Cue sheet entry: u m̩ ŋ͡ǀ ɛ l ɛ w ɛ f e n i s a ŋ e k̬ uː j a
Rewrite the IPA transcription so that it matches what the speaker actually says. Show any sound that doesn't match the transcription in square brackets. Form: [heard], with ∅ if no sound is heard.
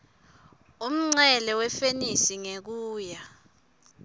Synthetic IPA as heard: u m̩ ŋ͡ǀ ɛ l ɛ w ɛ f e n i s [i] ŋ e k̬ uː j a